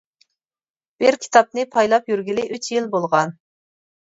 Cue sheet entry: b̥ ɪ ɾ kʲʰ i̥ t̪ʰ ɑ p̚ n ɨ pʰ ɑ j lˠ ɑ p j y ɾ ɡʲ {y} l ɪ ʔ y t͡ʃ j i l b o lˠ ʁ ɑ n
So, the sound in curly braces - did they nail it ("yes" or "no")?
no